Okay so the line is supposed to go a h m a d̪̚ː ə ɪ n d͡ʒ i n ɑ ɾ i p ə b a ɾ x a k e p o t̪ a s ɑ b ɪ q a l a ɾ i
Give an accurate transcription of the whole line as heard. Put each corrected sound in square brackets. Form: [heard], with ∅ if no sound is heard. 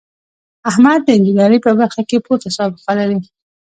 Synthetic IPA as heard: a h m a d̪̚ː ə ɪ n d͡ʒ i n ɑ ɾ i p ə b a ɾ x a k e p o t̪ a s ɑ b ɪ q a l a ɾ i